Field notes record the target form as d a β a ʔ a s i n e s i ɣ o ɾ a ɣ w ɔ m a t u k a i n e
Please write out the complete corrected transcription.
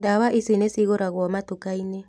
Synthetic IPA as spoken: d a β a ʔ i s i n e s i ɣ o ɾ a ɣ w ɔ m a t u k a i n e